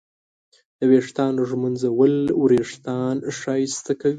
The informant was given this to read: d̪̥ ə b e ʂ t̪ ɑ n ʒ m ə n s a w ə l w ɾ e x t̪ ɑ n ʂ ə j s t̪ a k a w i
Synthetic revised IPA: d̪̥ ə w e ʂ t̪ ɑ n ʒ m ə n z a w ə l w ɾ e ʂ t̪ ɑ n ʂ ɑ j s t̪ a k a w i